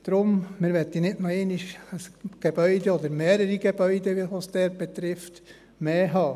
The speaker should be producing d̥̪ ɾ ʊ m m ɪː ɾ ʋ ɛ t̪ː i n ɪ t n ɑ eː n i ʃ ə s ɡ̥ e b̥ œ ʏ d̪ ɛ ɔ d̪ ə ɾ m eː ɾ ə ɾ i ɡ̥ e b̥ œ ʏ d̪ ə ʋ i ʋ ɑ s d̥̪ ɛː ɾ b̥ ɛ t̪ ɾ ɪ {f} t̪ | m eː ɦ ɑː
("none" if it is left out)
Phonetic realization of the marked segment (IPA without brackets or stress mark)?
f